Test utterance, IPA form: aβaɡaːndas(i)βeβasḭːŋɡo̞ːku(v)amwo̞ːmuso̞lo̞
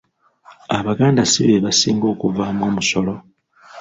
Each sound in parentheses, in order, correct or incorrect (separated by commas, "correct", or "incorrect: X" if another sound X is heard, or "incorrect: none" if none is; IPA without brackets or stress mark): correct, correct